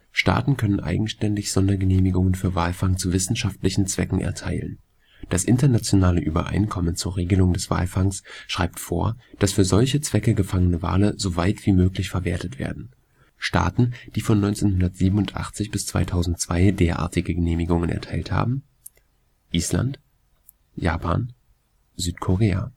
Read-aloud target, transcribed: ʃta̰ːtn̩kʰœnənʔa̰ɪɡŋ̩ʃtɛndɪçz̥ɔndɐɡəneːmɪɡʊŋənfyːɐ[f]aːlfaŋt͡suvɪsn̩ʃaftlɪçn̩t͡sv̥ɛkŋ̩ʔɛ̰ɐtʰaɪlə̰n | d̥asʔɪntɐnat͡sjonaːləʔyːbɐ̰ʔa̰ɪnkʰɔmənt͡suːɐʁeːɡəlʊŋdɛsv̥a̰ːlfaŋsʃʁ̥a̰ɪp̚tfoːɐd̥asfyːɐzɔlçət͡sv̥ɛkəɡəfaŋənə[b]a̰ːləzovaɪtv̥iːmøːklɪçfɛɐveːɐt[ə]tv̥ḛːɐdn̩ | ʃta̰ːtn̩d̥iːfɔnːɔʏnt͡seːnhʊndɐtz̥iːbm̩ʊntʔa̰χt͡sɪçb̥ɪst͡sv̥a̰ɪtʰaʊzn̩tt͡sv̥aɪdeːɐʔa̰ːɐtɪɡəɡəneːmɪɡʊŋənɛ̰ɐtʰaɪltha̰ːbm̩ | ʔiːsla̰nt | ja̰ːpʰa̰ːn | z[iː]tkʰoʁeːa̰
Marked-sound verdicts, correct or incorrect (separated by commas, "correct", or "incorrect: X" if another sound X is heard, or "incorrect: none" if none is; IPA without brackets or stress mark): incorrect: v, incorrect: v, correct, incorrect: yː